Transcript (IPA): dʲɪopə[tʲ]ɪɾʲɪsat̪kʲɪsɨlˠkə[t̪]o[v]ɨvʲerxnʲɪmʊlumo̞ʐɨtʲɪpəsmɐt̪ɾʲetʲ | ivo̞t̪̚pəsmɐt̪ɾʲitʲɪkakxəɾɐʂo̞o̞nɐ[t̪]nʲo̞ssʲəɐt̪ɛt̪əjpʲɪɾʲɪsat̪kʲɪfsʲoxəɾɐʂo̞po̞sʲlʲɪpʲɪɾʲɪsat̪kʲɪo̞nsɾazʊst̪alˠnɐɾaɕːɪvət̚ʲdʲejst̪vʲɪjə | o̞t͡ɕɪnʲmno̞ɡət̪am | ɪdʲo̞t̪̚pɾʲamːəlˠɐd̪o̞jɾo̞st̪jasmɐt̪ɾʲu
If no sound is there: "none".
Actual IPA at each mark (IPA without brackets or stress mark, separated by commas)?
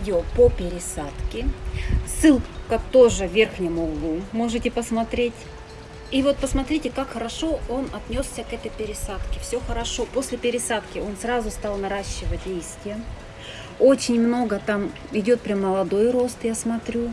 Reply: pʲ, t̪, ʐ, t̪